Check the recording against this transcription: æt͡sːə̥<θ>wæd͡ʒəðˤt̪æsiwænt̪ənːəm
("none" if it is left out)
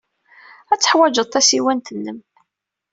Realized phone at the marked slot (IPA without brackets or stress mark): ħ